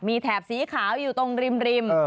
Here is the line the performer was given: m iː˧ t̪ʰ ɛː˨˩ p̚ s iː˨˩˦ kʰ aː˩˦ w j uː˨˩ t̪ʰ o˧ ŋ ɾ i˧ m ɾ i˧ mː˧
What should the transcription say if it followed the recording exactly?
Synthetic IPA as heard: m iː˧ t̪ʰ ɛː˨˩ p̚ s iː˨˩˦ kʰ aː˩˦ w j uː˨˩ t̪ o˧ ŋ ɾ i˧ m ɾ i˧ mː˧